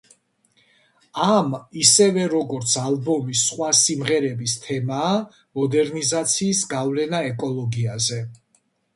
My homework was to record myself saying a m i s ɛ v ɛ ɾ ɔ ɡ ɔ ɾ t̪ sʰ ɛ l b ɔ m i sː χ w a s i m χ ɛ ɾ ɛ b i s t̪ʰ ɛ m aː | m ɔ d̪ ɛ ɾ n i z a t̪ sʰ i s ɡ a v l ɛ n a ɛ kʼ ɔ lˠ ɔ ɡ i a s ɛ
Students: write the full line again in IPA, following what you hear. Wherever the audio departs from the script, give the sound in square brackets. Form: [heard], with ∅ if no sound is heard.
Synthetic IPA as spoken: a m i s ɛ v ɛ ɾ ɔ ɡ ɔ ɾ t̪ sʰ [a] l b ɔ m i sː χ w a s i m [ʁ] ɛ ɾ ɛ b i s t̪ʰ ɛ m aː | m ɔ d̪ ɛ ɾ n i z a t̪ sʰ [iː] s ɡ a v l ɛ n a ɛ kʼ ɔ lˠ ɔ ɡ i a [z] ɛ